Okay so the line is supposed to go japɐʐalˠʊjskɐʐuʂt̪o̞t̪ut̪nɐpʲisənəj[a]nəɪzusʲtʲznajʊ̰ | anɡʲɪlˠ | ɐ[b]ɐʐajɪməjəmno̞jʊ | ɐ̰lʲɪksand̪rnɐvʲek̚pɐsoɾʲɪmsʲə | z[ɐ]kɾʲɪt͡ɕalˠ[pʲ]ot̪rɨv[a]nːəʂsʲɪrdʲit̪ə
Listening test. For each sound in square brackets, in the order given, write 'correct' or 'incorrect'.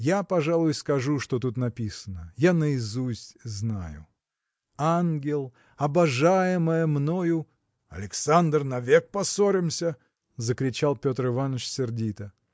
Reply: correct, correct, incorrect, correct, correct

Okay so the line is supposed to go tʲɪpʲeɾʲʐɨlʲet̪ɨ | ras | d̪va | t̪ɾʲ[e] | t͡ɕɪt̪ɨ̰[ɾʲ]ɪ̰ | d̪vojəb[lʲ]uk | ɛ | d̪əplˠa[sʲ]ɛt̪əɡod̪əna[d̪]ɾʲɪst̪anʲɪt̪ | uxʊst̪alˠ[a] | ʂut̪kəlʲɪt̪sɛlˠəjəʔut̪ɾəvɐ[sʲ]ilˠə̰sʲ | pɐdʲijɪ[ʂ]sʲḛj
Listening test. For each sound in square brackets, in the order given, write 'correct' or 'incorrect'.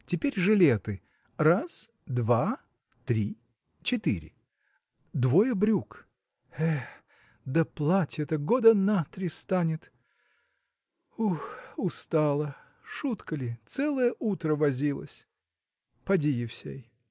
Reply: incorrect, correct, incorrect, incorrect, incorrect, incorrect, incorrect, incorrect

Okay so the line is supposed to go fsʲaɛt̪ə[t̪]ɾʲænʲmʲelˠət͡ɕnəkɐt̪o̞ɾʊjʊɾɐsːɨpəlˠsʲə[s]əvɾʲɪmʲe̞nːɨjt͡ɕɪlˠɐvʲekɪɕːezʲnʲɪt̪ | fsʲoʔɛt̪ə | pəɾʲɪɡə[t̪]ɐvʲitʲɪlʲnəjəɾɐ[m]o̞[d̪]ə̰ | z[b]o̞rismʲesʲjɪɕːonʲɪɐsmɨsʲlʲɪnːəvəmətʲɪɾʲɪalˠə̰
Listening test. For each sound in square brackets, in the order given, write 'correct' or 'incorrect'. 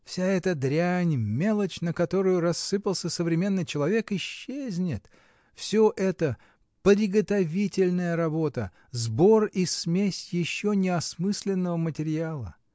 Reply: incorrect, correct, correct, incorrect, incorrect, correct

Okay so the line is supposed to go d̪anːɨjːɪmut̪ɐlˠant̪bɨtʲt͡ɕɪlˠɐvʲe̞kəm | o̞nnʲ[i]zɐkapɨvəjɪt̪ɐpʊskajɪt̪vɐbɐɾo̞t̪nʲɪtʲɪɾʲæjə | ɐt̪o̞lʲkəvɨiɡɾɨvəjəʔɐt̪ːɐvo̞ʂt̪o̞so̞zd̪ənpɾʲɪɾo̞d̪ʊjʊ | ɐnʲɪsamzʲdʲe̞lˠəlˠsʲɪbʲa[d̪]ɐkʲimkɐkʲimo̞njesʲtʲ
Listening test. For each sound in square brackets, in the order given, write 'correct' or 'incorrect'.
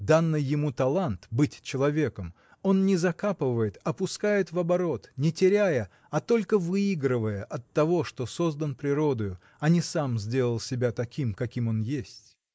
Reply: incorrect, incorrect

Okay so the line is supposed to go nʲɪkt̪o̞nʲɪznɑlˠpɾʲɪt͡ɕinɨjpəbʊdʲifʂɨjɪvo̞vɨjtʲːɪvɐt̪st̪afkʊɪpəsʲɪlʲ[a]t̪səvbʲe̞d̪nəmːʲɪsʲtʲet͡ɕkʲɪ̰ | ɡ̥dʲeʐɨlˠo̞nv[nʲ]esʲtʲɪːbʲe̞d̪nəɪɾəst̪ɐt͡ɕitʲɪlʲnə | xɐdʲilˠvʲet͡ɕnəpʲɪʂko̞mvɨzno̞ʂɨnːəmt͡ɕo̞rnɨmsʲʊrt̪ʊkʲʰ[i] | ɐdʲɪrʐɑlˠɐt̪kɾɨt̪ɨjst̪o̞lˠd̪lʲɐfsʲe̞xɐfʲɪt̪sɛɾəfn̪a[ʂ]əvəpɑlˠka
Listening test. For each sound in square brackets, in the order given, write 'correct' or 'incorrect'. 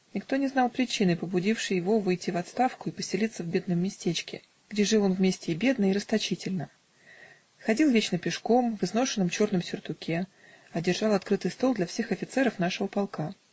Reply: incorrect, incorrect, incorrect, correct

